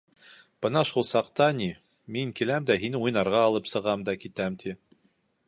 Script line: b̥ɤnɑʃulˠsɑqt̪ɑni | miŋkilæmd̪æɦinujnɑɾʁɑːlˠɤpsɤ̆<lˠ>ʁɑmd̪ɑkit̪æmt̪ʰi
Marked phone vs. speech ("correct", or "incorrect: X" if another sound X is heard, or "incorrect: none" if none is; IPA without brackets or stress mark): incorrect: none